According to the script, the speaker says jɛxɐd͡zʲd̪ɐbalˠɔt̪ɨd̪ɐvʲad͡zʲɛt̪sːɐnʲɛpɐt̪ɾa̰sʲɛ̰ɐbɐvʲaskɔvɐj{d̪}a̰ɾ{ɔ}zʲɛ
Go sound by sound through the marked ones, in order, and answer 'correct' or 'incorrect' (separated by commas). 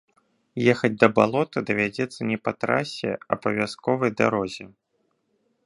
correct, correct